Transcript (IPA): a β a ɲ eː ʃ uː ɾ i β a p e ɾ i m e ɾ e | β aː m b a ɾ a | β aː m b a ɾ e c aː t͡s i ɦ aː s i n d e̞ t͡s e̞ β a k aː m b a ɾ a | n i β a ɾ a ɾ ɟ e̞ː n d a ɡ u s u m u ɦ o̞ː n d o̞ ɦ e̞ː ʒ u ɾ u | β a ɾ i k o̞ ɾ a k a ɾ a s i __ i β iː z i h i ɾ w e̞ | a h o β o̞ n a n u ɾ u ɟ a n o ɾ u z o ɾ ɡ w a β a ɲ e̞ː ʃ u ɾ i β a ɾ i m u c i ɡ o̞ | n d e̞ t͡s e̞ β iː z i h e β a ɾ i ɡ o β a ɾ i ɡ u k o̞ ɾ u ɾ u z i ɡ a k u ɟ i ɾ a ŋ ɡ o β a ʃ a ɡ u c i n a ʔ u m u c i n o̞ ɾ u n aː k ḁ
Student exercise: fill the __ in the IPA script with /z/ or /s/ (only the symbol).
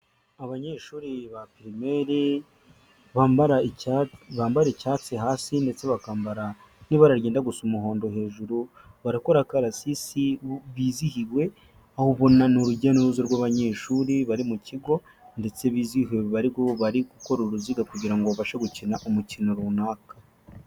s